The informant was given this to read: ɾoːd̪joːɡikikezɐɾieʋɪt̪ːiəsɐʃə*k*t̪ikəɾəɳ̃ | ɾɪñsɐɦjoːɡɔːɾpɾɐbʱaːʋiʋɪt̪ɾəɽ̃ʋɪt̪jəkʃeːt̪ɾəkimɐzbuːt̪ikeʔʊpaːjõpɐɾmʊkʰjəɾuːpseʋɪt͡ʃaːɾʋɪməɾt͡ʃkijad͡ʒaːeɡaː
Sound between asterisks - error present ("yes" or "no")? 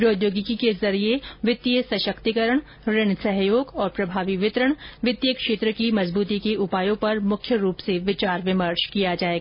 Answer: no